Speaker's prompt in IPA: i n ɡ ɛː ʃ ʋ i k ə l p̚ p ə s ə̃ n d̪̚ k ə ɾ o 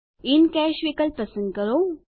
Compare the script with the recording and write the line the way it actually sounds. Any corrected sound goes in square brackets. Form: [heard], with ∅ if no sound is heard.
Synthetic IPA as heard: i n [k] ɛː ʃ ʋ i k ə l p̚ p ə s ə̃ n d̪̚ k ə ɾ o